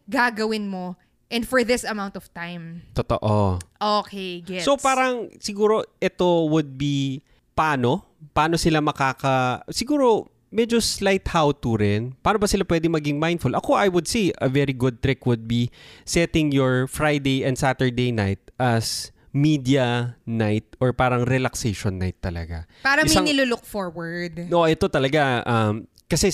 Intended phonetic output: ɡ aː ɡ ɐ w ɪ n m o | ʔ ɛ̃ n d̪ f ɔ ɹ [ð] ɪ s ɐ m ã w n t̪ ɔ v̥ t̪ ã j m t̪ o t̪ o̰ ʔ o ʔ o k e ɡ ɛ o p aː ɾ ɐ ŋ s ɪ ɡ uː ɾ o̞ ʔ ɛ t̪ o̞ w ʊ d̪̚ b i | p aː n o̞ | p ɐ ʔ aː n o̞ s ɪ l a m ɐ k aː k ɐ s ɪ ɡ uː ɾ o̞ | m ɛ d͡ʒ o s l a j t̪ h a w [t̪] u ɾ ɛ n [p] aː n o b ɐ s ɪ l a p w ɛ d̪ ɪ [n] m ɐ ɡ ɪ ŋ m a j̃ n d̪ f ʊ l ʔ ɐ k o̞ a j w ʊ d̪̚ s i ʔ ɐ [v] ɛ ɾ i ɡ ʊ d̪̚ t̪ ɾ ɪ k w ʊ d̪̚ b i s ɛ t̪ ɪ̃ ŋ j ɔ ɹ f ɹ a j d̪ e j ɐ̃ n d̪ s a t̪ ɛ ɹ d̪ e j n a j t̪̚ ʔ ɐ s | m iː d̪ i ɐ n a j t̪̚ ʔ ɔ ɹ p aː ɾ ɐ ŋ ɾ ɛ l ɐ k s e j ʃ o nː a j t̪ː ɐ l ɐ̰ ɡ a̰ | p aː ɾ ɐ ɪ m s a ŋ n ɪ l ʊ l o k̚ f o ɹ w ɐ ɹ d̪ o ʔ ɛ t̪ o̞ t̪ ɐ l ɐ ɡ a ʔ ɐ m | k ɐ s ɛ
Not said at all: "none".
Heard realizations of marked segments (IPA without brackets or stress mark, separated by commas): ð, t̪, p, ŋ, v